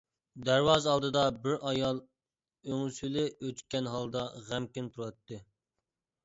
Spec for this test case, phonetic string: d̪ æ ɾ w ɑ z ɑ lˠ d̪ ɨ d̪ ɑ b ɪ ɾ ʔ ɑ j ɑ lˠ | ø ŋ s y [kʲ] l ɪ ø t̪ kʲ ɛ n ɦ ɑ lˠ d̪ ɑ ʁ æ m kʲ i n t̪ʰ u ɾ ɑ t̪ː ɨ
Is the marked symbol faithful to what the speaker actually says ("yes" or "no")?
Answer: no